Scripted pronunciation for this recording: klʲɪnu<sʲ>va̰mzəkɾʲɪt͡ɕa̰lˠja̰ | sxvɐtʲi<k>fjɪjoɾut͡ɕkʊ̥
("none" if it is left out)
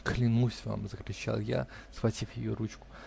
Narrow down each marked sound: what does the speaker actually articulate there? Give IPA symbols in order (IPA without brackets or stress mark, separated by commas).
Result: sʲ, none